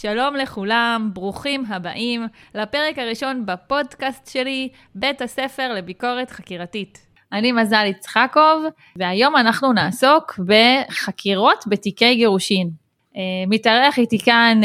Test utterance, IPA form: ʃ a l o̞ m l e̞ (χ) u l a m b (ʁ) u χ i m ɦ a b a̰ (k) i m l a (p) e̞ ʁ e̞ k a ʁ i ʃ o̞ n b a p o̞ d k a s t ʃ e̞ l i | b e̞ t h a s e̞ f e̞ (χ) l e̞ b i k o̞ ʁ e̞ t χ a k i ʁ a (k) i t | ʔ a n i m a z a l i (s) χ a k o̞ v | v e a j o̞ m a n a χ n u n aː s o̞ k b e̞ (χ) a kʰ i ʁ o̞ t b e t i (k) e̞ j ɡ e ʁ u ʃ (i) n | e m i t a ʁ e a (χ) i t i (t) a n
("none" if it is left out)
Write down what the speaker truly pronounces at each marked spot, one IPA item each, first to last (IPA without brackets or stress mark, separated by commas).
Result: χ, ʁ, ʔ, p, ʁ, t, t͡s, χ, k, i, χ, k